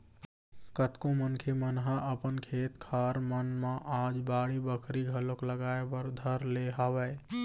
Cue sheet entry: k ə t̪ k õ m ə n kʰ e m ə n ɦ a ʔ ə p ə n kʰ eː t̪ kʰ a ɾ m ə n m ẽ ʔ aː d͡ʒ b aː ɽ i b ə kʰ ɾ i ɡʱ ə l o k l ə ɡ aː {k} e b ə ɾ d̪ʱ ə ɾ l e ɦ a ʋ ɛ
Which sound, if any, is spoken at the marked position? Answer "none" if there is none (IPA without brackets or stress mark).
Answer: none